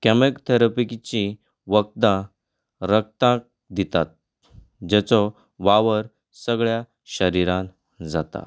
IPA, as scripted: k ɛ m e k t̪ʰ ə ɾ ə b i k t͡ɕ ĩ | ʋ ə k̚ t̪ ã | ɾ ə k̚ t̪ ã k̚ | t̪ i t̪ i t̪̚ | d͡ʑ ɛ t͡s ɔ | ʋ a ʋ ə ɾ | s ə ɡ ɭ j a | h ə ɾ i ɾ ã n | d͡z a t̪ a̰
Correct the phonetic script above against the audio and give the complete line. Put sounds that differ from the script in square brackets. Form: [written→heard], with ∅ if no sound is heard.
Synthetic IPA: k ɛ m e k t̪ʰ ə ɾ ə [b→p] i k t͡ɕ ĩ | ʋ ə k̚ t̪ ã | ɾ ə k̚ t̪ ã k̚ | [t̪→d̪] i t̪ [i→a] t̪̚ | d͡ʑ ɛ t͡s ɔ | ʋ a ʋ ə ɾ | s ə ɡ ɭ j a | [h→ɕ] ə ɾ i ɾ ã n | d͡z a t̪ a̰